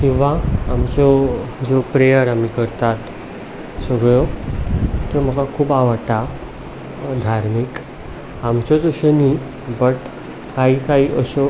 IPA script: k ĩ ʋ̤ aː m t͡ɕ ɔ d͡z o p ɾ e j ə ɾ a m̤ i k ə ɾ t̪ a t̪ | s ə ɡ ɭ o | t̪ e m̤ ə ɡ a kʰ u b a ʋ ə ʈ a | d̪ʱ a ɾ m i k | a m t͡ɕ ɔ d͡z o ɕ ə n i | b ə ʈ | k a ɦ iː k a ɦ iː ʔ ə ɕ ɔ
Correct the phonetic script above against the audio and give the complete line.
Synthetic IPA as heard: k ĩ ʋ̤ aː m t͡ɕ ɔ d͡z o p ɾ e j ə ɾ a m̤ i k ə ɾ t̪ a t̪ | s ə ɡ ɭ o | t̪ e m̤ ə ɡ a kʰ uː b a ʋ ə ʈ a | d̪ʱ a ɾ m i k | a m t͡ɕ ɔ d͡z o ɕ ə n i | b ə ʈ | k a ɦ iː k a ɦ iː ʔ ə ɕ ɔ